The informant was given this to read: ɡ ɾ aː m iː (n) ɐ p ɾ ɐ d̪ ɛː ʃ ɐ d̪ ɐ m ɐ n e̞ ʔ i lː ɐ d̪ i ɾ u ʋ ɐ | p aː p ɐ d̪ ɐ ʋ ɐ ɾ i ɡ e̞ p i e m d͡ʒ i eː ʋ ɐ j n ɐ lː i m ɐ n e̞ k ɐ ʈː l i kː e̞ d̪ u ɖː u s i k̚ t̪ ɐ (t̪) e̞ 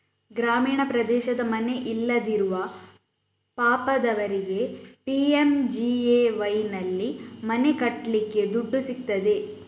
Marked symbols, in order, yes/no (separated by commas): no, no